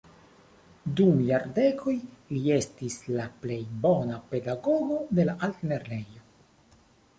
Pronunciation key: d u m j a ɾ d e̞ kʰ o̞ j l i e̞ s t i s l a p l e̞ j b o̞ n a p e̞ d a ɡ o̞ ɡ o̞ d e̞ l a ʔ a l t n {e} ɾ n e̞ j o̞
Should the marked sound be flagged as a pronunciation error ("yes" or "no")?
no